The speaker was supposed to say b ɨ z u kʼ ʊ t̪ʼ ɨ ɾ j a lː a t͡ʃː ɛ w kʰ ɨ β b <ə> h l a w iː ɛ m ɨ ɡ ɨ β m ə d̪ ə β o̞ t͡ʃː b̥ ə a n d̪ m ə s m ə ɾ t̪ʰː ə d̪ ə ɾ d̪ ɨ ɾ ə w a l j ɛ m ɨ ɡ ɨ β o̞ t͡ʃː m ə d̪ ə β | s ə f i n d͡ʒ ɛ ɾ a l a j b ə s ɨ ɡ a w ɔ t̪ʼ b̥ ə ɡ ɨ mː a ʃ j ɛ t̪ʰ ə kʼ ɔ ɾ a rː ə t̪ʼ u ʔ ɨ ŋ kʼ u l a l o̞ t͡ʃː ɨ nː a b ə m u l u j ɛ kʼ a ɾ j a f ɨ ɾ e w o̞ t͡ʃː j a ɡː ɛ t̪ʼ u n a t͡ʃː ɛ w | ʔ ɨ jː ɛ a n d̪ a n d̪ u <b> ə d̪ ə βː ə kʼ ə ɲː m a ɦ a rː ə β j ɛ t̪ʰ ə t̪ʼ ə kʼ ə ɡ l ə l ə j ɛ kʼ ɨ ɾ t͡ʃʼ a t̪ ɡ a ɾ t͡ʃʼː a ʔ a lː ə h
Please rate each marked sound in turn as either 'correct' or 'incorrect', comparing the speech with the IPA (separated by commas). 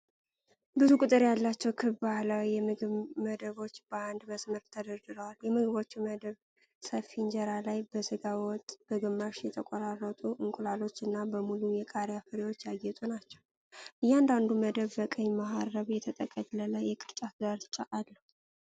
incorrect, incorrect